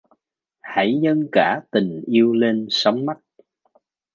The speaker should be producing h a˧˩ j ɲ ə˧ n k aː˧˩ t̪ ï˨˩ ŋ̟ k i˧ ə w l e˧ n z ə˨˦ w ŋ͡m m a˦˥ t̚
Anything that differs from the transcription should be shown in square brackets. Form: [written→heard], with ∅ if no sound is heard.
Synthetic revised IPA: h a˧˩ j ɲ ə˧ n k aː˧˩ t̪ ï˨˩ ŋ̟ [k→ʔ] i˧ ə w l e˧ n [z→s] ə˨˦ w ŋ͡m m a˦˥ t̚